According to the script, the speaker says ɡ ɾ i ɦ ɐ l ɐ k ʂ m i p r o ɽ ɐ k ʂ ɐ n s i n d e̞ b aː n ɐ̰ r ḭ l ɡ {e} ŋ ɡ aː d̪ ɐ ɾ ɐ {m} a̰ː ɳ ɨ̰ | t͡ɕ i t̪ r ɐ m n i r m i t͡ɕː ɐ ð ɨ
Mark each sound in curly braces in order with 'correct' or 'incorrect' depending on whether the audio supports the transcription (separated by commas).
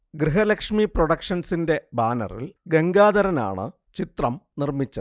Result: correct, incorrect